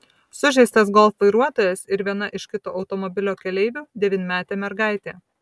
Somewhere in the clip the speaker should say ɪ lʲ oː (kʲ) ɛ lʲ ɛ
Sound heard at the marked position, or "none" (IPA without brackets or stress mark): kʲ